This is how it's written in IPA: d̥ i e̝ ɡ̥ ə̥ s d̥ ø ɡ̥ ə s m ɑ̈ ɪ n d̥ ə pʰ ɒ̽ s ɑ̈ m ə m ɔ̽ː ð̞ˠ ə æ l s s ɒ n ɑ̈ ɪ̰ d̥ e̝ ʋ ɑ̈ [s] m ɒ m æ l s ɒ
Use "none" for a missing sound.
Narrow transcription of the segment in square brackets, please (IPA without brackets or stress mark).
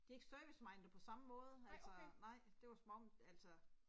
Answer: s